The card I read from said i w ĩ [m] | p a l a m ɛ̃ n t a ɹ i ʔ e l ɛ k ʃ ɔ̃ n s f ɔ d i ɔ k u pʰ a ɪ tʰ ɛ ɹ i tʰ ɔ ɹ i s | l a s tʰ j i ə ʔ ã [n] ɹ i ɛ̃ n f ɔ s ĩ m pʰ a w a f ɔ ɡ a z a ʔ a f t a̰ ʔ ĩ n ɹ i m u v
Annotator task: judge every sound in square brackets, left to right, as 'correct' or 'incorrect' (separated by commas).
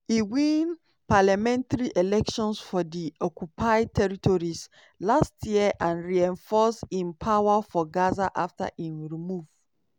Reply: incorrect, correct